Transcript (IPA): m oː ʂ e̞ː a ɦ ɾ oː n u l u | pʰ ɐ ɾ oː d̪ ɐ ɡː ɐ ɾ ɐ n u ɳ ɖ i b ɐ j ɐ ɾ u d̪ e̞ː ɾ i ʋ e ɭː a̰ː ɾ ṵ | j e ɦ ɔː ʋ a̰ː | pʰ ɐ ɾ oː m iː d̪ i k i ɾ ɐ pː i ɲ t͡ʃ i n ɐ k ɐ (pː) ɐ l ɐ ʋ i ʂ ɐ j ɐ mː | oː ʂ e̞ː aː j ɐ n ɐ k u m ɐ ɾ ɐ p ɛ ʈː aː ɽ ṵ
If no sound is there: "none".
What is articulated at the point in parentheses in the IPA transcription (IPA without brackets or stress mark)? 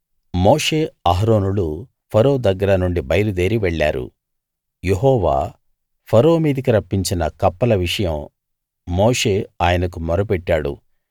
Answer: pː